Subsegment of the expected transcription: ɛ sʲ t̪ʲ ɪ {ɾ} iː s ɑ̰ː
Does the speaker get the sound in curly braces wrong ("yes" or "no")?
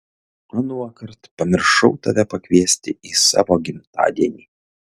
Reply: yes